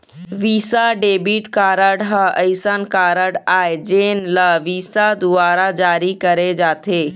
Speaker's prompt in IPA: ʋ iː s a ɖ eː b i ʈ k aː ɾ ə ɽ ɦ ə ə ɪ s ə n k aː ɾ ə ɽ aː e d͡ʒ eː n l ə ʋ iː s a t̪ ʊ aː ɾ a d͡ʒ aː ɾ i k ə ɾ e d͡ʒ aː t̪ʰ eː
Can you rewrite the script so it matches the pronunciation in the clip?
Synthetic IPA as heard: ʋ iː s a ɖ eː b i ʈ k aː ɾ ə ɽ ɦ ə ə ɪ s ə n k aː ɾ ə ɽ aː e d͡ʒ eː n l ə ʋ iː s a d̪ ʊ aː ɾ a d͡ʒ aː ɾ i k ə ɾ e d͡ʒ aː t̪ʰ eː